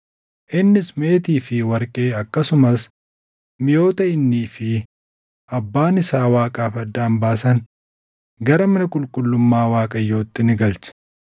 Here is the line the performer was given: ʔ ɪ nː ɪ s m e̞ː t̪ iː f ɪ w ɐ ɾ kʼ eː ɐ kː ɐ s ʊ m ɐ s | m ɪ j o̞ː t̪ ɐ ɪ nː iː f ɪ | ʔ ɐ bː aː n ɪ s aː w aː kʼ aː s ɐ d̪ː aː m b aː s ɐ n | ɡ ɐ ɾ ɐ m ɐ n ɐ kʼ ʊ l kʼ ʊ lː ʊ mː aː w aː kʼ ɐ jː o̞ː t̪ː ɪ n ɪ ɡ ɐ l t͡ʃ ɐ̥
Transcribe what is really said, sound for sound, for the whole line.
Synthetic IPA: ʔ ɪ nː ɪ s m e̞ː t̪ iː f ɪ w ɐ ɾ kʼ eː ɐ kː ɐ s ʊ m ɐ s | m ɪ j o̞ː t̪ ɐ ɪ nː iː f ɪ | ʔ ɐ bː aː n ɪ s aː w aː kʼ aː f ɐ d̪ː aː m b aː s ɐ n | ɡ ɐ ɾ ɐ m ɐ n ɐ kʼ ʊ l kʼ ʊ lː ʊ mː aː w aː kʼ ɐ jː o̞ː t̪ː ɪ n ɪ ɡ ɐ l t͡ʃ ɐ̥